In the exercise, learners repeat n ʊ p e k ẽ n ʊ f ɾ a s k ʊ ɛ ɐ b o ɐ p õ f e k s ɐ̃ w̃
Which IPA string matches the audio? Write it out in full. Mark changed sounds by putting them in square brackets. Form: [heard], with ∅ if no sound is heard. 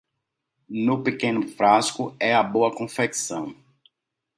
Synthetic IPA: n ʊ p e k ẽ n ʊ f ɾ a s k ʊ ɛ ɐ b o ɐ [k] õ f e k s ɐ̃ w̃